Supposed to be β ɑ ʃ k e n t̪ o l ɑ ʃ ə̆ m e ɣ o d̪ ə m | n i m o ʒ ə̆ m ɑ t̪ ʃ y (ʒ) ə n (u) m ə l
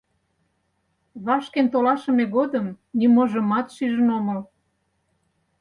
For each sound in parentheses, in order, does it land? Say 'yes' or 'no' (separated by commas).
yes, no